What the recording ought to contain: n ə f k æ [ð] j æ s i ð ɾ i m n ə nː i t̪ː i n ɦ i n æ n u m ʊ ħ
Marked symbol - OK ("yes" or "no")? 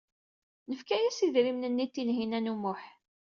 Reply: no